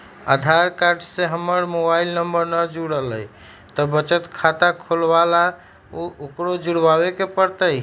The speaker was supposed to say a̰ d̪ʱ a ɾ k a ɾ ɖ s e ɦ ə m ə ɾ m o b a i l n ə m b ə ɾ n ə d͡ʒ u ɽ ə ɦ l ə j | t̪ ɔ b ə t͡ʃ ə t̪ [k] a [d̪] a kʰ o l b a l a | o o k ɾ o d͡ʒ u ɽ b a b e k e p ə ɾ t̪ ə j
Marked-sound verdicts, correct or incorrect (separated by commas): incorrect, incorrect